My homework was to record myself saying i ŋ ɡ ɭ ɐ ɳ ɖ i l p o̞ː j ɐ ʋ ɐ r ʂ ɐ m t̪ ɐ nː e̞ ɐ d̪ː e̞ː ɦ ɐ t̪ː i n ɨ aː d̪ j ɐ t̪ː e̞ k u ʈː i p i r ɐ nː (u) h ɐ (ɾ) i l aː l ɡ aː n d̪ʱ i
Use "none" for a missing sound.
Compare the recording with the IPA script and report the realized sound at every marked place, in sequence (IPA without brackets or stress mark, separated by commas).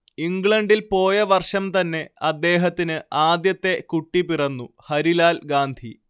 u, ɾ